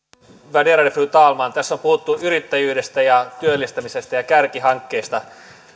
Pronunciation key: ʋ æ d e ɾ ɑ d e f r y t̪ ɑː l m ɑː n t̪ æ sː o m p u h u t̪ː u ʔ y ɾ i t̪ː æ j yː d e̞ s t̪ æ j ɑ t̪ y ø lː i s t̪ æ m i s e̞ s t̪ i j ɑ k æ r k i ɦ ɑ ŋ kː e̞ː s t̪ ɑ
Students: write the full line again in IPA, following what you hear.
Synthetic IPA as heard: ʋ æ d e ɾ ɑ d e f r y t̪ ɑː l m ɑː n t̪ æ sː o m p u h u t̪ː u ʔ y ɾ i t̪ː æ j yː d e̞ s t̪ æ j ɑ t̪ y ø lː i s t̪ æ m i s e̞ s t̪ æ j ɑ k æ r k i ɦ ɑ ŋ kː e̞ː s t̪ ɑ